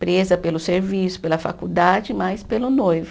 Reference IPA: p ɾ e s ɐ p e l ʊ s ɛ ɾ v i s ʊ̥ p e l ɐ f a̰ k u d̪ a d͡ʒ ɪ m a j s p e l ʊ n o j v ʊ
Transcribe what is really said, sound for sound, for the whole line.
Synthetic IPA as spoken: p ɾ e z ɐ p e l ʊ s e ɾ v i s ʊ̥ p e l ɐ f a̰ k u d̪ a d͡ʒ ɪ m a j s p e l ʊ n o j v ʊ